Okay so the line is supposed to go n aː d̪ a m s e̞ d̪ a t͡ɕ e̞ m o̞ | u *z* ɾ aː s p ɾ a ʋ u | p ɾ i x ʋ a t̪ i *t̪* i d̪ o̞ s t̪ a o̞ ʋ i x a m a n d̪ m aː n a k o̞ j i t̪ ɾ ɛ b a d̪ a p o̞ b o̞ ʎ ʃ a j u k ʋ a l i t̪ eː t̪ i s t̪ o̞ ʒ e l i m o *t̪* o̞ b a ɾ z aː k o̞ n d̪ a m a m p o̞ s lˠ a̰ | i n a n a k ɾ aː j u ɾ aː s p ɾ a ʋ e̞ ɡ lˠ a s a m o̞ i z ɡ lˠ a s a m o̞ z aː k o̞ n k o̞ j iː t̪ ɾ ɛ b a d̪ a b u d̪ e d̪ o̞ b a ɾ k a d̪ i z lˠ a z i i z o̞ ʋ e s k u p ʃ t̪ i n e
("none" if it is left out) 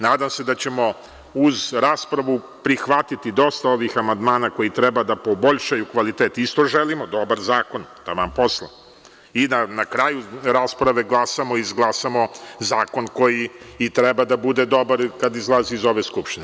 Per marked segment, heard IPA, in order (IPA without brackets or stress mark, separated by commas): z, t̪, d̪